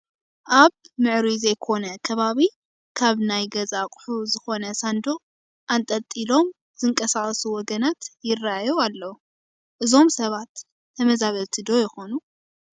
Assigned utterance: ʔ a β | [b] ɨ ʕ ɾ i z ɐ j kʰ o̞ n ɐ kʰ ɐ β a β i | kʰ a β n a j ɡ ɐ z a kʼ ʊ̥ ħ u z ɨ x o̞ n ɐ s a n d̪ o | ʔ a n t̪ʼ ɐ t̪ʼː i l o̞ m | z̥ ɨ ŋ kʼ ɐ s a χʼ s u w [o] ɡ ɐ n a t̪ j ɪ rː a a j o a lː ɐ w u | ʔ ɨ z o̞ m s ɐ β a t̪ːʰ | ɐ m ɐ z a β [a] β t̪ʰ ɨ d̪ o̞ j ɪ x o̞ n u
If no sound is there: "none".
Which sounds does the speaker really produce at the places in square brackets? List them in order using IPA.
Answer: m, ɔ, ɐ

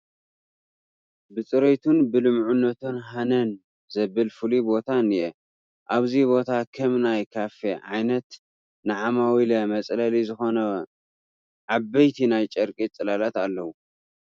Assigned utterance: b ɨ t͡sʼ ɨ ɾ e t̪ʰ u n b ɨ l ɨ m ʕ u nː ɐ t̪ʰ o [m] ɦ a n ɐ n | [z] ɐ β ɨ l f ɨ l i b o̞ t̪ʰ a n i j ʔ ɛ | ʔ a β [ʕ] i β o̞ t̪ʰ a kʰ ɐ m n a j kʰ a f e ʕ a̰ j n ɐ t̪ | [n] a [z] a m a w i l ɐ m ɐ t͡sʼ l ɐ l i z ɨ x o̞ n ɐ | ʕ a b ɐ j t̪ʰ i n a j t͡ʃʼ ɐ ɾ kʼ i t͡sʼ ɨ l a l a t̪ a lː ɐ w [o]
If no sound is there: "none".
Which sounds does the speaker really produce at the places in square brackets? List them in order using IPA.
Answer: n, z, z, n, ʕ, u

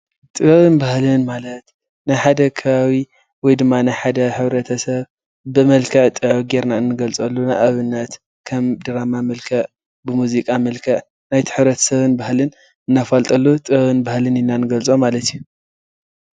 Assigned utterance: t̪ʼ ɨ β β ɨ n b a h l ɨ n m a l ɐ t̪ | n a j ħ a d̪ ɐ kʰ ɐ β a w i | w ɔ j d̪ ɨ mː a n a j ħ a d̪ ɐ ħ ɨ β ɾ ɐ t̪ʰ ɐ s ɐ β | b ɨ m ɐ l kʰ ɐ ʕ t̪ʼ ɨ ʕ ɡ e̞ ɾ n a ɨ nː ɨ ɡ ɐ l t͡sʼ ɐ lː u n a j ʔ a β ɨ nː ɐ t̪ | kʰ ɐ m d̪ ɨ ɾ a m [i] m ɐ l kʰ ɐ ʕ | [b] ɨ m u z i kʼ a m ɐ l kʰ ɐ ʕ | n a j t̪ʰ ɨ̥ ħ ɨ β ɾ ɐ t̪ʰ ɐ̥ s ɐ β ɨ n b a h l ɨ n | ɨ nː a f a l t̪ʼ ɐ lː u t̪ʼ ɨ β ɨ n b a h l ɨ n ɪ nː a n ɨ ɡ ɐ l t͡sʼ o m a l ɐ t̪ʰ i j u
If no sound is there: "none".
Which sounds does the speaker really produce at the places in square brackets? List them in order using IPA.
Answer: a, b

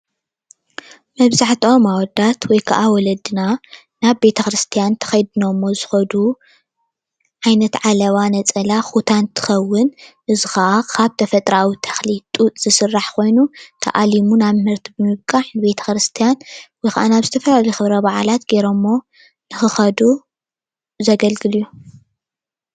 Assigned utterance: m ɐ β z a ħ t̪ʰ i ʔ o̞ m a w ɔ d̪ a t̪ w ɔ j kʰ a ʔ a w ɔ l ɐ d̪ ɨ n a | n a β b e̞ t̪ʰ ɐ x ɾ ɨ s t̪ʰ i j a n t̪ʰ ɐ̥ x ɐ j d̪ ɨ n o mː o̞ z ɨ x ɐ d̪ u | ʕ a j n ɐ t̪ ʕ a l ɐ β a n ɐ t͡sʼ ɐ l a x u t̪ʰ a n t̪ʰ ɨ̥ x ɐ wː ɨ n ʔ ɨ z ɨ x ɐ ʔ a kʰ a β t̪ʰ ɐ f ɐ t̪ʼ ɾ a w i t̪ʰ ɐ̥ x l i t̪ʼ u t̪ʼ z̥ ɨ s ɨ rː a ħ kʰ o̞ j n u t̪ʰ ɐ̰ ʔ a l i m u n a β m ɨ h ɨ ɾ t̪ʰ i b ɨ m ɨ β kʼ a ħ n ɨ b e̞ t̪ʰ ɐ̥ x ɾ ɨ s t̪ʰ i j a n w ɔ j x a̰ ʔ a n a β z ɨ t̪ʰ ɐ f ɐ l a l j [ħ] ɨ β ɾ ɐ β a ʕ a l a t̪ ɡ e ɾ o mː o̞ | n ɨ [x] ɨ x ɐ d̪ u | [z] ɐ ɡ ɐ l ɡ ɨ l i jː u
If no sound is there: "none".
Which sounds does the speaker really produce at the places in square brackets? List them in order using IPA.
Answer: x, x, z

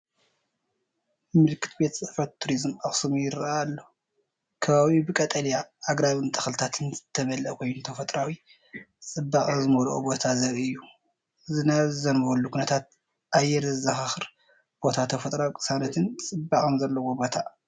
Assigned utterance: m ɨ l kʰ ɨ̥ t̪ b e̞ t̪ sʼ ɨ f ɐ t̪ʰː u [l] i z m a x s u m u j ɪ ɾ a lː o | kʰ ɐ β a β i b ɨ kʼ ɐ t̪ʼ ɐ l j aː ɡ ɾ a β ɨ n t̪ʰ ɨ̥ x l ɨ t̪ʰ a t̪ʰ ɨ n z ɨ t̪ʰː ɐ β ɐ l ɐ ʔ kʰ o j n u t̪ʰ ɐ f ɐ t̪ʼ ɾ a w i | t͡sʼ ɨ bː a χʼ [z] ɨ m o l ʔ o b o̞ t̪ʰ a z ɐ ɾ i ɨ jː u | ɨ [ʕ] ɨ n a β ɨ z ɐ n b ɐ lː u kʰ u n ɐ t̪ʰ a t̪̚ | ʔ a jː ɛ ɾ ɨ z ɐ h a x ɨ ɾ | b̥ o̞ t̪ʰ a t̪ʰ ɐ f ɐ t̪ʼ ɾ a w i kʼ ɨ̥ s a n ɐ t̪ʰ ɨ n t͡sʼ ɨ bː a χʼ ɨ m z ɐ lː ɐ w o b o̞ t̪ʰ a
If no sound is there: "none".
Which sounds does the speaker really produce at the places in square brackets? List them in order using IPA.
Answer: ɾ, z, z

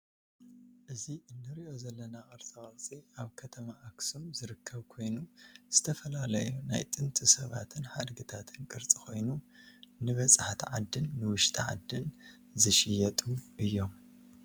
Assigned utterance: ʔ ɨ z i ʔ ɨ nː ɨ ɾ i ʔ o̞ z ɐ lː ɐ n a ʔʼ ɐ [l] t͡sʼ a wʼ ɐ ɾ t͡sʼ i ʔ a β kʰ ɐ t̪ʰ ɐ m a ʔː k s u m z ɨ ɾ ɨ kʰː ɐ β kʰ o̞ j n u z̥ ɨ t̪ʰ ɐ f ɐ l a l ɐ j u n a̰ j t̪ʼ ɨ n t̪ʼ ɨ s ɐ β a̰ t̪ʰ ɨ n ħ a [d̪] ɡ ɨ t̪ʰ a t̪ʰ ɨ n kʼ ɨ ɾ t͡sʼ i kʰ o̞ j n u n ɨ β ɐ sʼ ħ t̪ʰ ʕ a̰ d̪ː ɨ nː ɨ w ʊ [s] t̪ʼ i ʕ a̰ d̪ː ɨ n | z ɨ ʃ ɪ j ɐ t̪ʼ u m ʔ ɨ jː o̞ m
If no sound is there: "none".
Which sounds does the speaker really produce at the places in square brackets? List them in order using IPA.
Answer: ɾ, d̪, ʃ

